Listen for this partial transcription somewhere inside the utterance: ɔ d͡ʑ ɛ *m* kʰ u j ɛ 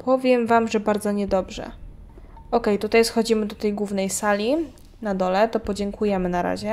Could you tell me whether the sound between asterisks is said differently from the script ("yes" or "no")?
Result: yes